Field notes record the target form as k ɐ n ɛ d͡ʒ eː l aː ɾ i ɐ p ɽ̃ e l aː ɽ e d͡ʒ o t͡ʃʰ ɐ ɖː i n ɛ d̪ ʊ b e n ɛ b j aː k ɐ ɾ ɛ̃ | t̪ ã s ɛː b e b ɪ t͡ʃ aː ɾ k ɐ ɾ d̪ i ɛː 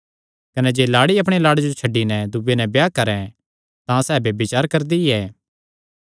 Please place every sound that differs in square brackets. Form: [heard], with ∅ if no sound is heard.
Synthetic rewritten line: k ɐ n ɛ d͡ʒ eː l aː [ɽ] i ɐ p ɽ̃ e l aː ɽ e d͡ʒ o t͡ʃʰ ɐ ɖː i n ɛ d̪ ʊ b e n ɛ b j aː k ɐ ɾ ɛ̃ | t̪ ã s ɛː b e b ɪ t͡ʃ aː ɾ k ɐ ɾ d̪ i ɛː